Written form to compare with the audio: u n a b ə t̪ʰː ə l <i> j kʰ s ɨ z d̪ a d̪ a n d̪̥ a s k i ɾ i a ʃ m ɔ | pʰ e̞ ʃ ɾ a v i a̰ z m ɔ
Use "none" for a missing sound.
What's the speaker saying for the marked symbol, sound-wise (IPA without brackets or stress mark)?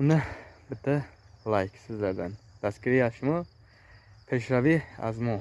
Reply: a